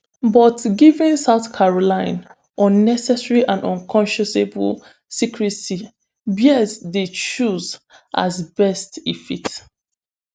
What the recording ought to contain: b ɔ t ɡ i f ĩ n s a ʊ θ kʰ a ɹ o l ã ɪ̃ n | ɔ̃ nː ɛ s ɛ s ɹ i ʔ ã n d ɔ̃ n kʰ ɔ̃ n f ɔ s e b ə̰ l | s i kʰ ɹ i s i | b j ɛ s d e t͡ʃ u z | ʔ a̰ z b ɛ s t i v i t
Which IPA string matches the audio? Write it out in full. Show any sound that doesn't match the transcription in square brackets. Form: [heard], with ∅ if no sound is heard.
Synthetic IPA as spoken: b ɔ t ɡ i [v] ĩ n s a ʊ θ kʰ a ɹ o l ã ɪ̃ n | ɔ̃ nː ɛ s ɛ s ɹ i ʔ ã n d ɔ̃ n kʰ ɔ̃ n [ʃ] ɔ s e b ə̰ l | s i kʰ ɹ i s i | b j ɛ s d e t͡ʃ u z | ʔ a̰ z b ɛ s t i [f] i t

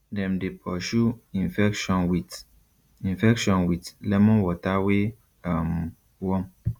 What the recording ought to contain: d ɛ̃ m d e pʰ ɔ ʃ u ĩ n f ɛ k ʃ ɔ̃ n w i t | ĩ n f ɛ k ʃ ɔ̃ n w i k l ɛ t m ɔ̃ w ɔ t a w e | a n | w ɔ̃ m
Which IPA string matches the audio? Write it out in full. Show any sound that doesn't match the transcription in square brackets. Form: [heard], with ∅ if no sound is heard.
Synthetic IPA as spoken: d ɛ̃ m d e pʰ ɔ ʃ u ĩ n f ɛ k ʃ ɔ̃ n w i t | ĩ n f ɛ k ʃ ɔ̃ n w i [t] l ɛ [∅] m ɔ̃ w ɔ t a w e | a [m] | w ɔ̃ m

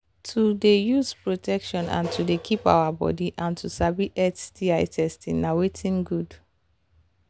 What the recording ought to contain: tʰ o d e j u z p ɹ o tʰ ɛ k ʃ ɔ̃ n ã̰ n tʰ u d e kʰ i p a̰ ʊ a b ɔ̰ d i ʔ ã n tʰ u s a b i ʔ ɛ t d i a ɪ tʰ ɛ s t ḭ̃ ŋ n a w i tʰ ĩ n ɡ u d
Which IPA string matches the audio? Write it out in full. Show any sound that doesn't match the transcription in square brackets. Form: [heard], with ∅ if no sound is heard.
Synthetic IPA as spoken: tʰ [u] d e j u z p ɹ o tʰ ɛ k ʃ ɔ̃ n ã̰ n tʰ u d e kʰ i p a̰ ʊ a b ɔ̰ d i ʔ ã n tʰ u s a b i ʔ ɛ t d i a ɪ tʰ ɛ s t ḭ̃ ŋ n a w [e] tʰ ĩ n ɡ u d

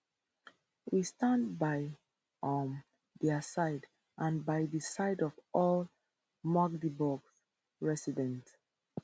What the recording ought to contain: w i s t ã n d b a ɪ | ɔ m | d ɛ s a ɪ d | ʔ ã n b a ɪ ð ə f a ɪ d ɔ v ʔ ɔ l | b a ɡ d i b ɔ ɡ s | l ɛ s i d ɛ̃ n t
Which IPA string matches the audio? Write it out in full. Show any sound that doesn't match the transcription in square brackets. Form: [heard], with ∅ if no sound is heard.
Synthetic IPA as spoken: w i s t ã n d b a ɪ | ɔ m | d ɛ s a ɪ d | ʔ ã n b a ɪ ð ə [s] a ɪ d ɔ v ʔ ɔ l | [m] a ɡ d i b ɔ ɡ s | [ɹ] ɛ s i d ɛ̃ n t

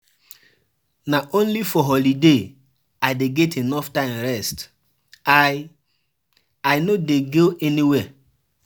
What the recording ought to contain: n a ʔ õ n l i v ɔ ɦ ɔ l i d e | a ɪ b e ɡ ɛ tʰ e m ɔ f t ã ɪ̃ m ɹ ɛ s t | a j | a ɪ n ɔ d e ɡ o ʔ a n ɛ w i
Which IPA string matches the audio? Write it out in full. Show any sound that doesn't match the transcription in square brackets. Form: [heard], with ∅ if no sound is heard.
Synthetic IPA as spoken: n a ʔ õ n l i [f] ɔ ɦ ɔ l i d e | a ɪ [d] e ɡ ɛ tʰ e [n] ɔ f t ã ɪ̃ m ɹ ɛ s t | a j | a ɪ n [o] d e ɡ o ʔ [ɛ] n [i] w [ɛ]

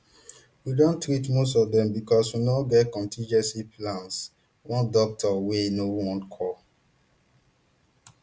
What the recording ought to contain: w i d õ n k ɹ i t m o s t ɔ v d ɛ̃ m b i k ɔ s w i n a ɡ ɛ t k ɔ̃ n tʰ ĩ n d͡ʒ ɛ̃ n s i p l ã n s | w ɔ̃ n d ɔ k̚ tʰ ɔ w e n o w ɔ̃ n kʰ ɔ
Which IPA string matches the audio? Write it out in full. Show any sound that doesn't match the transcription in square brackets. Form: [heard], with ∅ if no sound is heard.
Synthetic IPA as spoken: w i d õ n [t] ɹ i t m o s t ɔ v d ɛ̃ m b i k ɔ s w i n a ɡ ɛ t k ɔ̃ n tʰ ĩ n d͡ʒ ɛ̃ n s i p l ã n s | w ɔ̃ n d ɔ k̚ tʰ ɔ w e n o w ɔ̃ n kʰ ɔ

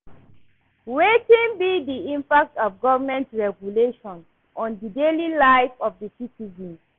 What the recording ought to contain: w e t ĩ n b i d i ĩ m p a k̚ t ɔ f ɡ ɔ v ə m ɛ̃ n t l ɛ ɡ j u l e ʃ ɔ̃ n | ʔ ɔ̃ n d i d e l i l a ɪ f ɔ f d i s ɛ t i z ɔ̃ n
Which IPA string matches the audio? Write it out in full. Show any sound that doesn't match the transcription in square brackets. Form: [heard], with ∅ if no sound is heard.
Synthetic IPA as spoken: w e t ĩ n b i d i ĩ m p a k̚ t ɔ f ɡ ɔ v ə m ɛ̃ n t [ɹ] ɛ ɡ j u l e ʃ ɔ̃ n | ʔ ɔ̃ n d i d e l i l a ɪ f ɔ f d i s [i] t i z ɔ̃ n

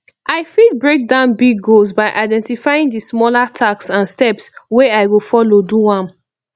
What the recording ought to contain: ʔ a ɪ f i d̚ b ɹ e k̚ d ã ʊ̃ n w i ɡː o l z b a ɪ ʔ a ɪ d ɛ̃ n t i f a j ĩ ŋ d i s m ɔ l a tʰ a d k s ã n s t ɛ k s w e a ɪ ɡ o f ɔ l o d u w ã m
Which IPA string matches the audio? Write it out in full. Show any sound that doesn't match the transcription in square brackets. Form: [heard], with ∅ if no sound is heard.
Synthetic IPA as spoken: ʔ a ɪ f i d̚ b ɹ e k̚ d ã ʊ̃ n [b] i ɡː o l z b a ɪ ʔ a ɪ d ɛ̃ n t i f a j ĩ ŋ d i s m ɔ l a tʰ a [∅] k s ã n s t ɛ [p] s w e a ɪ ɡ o f ɔ l o d u w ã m

